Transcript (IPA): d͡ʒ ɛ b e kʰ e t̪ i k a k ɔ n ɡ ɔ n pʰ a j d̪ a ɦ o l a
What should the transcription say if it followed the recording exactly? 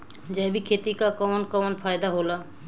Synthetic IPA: d͡ʒ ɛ b i kʰ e t̪ i k a k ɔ n k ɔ n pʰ a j d̪ a ɦ o l a